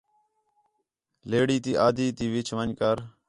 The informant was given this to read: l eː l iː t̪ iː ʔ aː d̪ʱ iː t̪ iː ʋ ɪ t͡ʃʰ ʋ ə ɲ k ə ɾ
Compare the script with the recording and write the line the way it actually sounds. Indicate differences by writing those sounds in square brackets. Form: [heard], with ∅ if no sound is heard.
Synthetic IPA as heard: l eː [ɽ] iː t̪ iː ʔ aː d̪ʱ iː t̪ iː ʋ ɪ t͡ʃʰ ʋ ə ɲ k ə ɾ

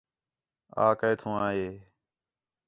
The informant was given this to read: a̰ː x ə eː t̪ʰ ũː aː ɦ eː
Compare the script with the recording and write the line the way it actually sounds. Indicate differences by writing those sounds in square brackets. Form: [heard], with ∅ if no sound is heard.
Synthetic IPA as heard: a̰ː [k] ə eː t̪ʰ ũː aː ɦ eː

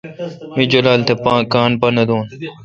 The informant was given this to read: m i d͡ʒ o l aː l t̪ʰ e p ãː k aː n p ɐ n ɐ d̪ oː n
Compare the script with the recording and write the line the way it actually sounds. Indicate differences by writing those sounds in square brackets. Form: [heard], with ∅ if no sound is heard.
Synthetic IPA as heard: m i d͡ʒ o l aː l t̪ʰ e p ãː k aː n p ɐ n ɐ d̪ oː n

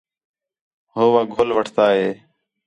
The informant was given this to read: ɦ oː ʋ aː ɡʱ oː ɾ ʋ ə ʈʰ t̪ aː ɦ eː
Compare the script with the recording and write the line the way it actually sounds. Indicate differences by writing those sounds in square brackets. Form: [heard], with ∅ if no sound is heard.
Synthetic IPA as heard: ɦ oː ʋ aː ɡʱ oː [l] ʋ ə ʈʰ t̪ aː ɦ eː

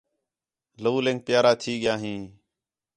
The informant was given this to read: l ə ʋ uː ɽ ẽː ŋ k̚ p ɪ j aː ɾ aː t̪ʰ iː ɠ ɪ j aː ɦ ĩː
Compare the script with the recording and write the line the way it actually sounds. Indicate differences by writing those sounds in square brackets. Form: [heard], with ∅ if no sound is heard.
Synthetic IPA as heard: l ə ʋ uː [l] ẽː ŋ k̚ p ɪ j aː ɾ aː t̪ʰ iː ɠ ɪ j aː ɦ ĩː

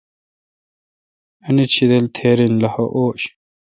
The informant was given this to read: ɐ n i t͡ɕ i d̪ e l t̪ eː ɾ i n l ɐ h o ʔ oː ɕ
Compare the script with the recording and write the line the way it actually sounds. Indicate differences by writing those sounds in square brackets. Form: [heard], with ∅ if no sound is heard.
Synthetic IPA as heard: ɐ n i [t͡ɕʰ] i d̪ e l [t̪ʰ] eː ɾ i n l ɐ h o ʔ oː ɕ

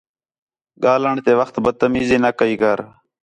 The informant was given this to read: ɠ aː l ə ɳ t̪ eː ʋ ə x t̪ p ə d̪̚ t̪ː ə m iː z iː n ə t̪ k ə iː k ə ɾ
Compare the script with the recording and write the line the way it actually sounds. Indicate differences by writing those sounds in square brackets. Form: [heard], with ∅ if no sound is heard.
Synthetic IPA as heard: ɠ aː l ə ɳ t̪ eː ʋ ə x t̪ [b] ə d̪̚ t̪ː ə m iː z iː n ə [∅] k ə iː k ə ɾ

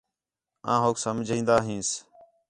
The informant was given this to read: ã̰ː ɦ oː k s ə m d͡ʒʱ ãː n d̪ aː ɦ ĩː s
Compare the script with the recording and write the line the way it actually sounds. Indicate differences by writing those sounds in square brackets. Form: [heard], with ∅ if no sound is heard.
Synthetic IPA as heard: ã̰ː ɦ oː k s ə m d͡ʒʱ [ĩː] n d̪ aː ɦ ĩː s

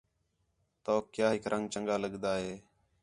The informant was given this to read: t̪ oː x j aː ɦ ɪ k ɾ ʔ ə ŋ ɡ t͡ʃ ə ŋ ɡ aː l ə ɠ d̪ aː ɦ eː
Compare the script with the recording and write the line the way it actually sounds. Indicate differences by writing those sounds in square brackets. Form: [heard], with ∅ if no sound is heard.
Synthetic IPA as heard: t̪ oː [k] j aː ɦ ɪ k ɾ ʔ ə ŋ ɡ t͡ʃ ə ŋ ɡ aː l ə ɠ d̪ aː ɦ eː

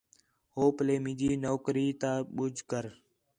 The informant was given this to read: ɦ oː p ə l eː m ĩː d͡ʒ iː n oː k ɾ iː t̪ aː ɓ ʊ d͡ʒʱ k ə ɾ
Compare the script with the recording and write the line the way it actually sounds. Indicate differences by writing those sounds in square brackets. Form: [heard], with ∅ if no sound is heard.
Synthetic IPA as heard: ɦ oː p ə l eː m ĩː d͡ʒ iː n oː k ɾ iː t̪ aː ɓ ʊ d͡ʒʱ k ə ɾ

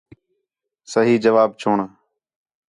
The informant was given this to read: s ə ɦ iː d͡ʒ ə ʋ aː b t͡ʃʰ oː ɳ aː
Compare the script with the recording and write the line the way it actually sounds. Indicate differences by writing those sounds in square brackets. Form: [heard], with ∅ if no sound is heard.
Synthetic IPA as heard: s ə ɦ iː d͡ʒ ə ʋ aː b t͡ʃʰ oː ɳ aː

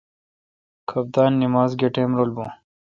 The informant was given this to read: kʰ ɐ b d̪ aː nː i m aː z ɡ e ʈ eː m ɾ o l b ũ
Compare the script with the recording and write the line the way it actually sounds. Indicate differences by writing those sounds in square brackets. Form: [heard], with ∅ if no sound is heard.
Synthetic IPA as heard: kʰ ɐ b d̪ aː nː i m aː z ɡ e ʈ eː m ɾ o l b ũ

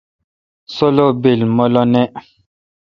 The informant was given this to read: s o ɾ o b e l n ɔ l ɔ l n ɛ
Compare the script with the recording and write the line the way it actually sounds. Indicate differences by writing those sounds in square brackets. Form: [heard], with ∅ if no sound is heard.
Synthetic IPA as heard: s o [l] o b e l [m] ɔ l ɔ [∅] n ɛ

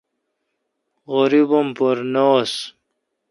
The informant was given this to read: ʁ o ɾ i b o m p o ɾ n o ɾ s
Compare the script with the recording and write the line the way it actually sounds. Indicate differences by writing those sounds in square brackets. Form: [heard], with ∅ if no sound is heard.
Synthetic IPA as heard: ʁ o ɾ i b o m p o ɾ n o [∅] s

